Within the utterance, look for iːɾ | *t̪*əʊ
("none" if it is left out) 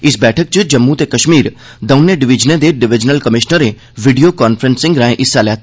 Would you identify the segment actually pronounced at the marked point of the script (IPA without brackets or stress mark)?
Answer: d̪